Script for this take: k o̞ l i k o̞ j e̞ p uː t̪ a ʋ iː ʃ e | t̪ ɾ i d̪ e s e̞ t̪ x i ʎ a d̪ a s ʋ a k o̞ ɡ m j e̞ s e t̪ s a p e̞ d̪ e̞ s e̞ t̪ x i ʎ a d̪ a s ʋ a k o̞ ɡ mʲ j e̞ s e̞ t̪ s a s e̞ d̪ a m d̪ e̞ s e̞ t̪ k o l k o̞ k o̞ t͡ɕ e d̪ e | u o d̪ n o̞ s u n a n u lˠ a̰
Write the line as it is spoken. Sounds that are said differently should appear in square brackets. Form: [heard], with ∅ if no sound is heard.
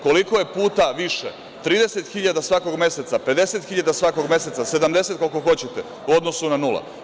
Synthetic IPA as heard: k o̞ l i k o̞ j e̞ p uː t̪ a ʋ [i] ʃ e | t̪ ɾ [iː] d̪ e s e̞ t̪ x i ʎ a d̪ a s ʋ a k o̞ ɡ m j e̞ s e t̪ s a p e̞ d̪ e̞ s e̞ t̪ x i ʎ a d̪ a s ʋ a k o̞ ɡ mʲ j e̞ s e̞ t̪ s a s e̞ d̪ a m d̪ e̞ s e̞ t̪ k o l k o̞ [x] o̞ t͡ɕ e [t̪] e | u o d̪ n o̞ s u n a n u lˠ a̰